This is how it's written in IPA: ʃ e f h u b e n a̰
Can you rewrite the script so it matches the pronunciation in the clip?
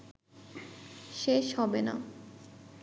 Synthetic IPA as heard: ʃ e ʃ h ɔ b e n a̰